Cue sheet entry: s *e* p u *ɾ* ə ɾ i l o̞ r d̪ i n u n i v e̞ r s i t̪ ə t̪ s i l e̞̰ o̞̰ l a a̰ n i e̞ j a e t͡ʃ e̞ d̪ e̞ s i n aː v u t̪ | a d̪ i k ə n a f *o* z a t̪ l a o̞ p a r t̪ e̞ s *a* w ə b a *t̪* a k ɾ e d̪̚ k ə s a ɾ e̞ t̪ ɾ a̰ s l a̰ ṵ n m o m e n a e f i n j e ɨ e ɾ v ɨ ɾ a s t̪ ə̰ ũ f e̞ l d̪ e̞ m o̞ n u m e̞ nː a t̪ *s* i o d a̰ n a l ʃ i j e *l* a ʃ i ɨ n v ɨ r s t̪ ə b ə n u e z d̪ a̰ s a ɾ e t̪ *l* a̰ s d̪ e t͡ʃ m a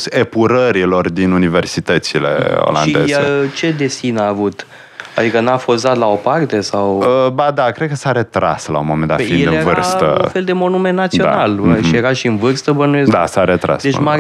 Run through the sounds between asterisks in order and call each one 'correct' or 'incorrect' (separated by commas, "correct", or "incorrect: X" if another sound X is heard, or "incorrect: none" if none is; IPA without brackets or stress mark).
correct, correct, correct, correct, incorrect: d̪, correct, incorrect: ɾ, incorrect: ɾ